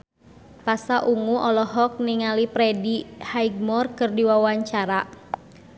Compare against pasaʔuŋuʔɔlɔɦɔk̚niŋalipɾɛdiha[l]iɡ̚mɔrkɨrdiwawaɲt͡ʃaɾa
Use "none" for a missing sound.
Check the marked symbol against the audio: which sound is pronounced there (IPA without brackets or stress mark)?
none